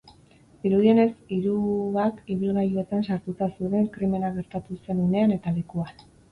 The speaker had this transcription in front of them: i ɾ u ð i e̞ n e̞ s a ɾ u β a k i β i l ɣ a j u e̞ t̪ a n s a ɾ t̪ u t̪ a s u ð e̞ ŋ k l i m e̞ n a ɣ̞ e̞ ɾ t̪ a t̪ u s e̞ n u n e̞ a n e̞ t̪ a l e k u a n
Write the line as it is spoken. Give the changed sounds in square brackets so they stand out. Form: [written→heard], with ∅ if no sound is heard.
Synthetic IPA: i ɾ u ð i e̞ n e̞ s [a→i] ɾ u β a k i β i l ɣ a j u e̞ t̪ a n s a ɾ t̪ u t̪ a s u ð e̞ ŋ k [l→ɾ] i m e̞ n a ɣ̞ e̞ ɾ t̪ a t̪ u s e̞ n u n e̞ a n e̞ t̪ a l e k u a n